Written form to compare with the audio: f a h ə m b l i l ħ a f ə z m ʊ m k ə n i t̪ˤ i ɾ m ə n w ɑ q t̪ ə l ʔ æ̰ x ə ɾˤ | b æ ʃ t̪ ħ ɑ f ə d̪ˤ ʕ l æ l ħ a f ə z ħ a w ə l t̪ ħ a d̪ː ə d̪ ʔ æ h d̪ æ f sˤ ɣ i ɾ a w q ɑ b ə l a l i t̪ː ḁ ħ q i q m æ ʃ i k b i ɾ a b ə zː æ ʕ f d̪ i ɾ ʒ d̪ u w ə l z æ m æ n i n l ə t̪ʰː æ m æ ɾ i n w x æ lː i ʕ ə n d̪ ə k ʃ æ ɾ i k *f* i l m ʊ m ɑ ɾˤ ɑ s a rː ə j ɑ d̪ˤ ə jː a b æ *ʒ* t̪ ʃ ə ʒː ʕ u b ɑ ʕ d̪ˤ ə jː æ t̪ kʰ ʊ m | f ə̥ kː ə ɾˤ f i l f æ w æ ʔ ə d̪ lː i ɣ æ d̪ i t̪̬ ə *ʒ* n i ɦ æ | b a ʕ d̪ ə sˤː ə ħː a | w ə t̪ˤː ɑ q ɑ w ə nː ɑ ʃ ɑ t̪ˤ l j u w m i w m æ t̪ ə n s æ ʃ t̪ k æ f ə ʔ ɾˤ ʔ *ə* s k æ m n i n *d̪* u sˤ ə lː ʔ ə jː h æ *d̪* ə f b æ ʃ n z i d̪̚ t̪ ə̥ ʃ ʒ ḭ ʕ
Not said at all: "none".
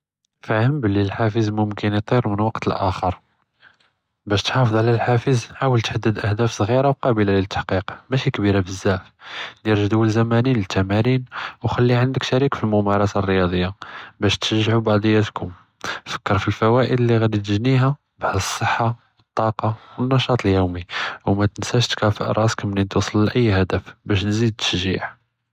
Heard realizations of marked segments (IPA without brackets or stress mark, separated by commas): f, ʃ, ʒ, ɑ, t̪, d̪